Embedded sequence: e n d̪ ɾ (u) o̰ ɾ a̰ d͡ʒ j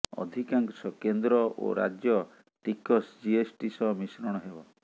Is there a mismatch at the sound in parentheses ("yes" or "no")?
yes